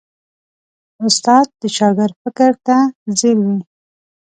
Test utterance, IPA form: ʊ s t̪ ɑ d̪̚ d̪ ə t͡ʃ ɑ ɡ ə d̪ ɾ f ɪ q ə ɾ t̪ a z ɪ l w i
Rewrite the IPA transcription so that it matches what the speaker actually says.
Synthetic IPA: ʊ s t̪ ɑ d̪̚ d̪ ə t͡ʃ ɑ ɡ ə ɾ f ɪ k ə ɾ t̪ a z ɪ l w i